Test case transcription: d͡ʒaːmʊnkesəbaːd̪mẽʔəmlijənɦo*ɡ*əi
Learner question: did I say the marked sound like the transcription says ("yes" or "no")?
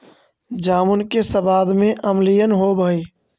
no